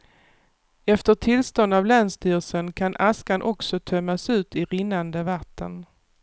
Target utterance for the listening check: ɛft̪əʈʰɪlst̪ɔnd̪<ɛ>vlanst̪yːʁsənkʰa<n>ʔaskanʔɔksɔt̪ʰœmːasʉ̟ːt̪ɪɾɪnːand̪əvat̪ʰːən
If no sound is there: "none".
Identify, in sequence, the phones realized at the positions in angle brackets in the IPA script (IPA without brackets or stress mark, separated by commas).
a, n